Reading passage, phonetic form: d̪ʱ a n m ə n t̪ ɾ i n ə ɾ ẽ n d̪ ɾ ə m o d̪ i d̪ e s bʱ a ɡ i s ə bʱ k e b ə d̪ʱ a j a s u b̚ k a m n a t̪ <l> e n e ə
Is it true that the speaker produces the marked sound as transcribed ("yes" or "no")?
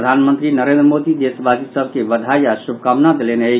yes